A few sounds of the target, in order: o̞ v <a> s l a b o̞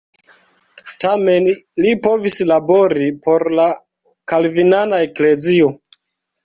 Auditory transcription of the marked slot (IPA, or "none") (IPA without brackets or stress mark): i